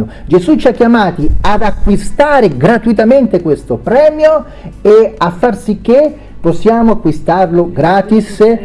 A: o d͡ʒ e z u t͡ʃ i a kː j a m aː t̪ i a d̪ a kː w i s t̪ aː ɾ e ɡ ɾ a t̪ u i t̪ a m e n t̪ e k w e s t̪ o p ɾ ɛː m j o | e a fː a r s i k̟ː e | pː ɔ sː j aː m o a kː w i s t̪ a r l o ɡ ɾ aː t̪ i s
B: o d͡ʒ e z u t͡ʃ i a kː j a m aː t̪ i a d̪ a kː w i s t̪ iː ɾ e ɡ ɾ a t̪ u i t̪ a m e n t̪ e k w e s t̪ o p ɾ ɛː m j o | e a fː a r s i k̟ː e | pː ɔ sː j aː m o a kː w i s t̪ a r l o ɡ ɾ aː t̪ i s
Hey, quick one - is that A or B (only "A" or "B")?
A